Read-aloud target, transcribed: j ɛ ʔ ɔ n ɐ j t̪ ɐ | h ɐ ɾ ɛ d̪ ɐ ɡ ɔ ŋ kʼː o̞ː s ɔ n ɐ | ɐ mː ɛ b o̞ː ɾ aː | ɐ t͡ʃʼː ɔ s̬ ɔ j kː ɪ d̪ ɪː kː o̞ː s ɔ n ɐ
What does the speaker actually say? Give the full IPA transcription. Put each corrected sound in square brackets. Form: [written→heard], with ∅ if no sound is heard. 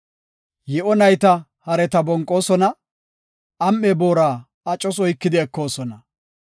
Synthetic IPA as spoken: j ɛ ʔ ɔ n ɐ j t̪ ɐ | h ɐ ɾ ɛ [d̪→t̪] ɐ [ɡ→b] ɔ ŋ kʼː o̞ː s ɔ n ɐ | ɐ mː ɛ b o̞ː ɾ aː | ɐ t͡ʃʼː ɔ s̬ ɔ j kː ɪ d̪ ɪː kː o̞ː s ɔ n ɐ

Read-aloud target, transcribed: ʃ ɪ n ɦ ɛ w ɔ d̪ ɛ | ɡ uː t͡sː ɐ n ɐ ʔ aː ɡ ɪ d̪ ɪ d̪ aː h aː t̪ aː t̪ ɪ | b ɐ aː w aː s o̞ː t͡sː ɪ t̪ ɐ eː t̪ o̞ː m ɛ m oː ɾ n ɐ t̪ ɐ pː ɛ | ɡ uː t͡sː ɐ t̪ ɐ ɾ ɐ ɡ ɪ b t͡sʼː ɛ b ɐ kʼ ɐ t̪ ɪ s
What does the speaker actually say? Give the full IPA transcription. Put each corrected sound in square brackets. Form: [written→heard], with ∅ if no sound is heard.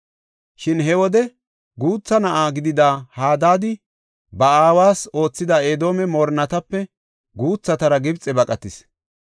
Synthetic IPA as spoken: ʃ ɪ n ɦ ɛ w ɔ d̪ ɛ | ɡ uː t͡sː ɐ n ɐ ʔ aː ɡ ɪ d̪ ɪ d̪ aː h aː [t̪→d̪] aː [t̪→d̪] ɪ | b ɐ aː w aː s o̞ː t͡sː ɪ [t̪→d̪] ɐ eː [t̪→d̪] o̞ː m ɛ m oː ɾ n ɐ t̪ ɐ pː ɛ | ɡ uː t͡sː ɐ t̪ ɐ ɾ ɐ ɡ ɪ b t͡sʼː ɛ b ɐ kʼ ɐ t̪ ɪ s

